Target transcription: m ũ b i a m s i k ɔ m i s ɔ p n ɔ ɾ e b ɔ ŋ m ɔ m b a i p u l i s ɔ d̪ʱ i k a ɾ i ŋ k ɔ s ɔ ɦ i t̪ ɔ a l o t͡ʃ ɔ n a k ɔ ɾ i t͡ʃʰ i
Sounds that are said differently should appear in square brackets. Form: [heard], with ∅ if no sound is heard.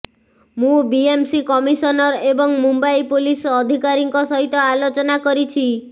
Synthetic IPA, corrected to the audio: m ũ b i [e] m s i k ɔ m i s ɔ [∅] n ɔ ɾ e b ɔ ŋ m [u] m b a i p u l i s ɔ d̪ʱ i k a ɾ i ŋ k ɔ s ɔ ɦ i t̪ ɔ a l o t͡ʃ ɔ n a k ɔ ɾ i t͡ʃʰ i